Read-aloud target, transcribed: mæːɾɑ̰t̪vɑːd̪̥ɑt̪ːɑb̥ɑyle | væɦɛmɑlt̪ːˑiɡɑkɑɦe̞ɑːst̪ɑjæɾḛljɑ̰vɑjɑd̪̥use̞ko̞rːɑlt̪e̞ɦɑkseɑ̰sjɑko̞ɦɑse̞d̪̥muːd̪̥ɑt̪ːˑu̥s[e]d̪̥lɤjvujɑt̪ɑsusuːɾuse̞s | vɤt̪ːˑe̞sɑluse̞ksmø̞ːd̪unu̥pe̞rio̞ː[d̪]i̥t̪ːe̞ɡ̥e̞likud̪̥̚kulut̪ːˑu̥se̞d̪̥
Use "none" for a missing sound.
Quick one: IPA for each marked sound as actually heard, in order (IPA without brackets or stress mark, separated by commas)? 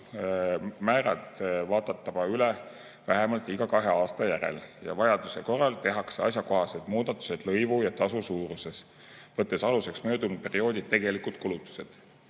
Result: e, d̪